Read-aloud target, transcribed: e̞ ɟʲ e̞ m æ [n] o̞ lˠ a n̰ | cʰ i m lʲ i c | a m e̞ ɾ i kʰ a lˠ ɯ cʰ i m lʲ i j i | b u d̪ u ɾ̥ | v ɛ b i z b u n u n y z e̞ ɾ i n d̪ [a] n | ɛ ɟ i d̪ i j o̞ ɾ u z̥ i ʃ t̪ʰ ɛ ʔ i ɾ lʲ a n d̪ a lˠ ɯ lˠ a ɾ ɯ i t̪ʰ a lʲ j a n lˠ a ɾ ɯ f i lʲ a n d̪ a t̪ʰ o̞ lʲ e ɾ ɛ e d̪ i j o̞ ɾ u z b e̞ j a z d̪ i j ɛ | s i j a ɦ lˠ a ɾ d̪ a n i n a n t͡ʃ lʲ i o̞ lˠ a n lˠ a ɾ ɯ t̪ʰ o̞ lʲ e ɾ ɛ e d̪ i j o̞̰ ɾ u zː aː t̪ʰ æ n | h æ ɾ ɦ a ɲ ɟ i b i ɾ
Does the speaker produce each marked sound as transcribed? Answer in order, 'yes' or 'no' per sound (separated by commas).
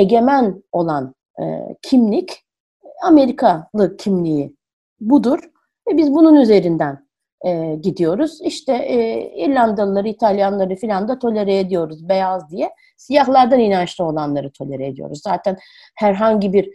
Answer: yes, no